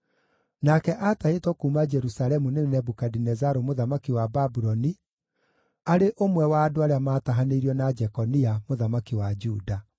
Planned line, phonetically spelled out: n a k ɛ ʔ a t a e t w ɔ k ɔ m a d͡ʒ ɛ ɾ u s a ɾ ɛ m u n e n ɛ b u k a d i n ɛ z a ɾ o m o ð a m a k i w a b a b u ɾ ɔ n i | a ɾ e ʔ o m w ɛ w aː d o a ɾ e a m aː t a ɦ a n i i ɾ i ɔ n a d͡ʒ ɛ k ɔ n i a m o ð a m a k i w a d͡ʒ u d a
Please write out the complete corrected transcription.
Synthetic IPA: n a k ɛ ʔ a t a e t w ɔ k u m a d͡ʒ ɛ ɾ u s a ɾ ɛ m u n e n ɛ b u k a d i n ɛ z a ɾ o m o ð a m a k i w a b a b u ɾ ɔ n i | a ɾ e ʔ o m w ɛ w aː d o a ɾ e a m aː t a ɦ a n e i ɾ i ɔ n a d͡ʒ ɛ k ɔ n i a m o ð a m a k i w a d͡ʒ u d a